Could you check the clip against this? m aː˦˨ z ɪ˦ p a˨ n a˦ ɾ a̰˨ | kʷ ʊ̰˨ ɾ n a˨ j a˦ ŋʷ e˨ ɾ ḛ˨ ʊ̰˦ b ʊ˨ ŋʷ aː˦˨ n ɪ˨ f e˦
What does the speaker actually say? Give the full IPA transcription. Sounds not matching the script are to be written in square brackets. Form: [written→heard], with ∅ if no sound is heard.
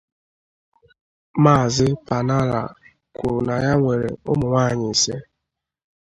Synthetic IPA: m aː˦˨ z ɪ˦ p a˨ n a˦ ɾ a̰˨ | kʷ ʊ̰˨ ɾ n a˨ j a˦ ŋʷ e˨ ɾ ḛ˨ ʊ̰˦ [b→m] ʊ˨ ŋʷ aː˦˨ [n→ɲ] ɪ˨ [f→s] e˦